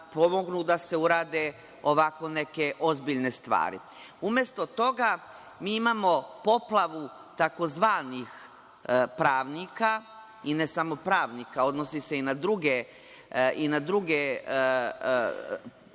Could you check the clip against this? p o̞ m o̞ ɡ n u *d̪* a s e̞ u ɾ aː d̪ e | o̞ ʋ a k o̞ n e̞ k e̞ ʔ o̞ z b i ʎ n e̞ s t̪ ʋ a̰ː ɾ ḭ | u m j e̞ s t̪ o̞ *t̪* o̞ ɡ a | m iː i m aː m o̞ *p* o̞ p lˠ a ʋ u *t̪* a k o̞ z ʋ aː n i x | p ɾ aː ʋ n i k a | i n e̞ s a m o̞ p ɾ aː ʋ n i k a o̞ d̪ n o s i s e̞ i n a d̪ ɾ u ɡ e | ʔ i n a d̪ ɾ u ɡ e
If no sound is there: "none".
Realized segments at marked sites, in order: d̪, t̪, p, t̪

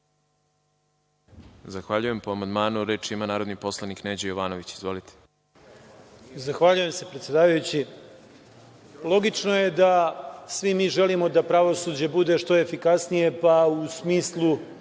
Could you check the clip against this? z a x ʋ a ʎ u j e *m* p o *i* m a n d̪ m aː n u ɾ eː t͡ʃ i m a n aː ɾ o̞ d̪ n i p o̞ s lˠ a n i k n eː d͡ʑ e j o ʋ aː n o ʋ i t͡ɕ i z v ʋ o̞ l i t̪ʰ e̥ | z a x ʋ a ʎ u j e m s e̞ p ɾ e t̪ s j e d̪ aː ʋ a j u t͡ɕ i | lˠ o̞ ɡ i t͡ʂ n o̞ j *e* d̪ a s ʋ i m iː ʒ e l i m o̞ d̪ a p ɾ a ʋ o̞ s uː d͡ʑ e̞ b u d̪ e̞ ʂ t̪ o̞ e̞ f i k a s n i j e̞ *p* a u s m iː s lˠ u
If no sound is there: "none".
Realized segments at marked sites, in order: m, a, e, p

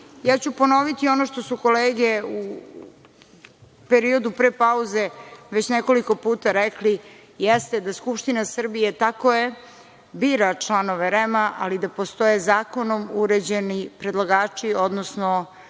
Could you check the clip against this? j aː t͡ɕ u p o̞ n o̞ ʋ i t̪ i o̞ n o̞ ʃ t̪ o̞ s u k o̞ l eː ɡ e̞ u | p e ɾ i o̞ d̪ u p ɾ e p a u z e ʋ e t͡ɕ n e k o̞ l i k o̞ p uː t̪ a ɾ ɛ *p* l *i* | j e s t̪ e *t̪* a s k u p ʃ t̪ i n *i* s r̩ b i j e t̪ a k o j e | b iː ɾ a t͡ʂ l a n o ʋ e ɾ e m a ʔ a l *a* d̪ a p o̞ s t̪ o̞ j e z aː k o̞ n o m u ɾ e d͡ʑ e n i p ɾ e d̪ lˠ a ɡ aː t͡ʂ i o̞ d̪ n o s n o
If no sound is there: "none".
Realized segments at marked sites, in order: k, i, d̪, a, i

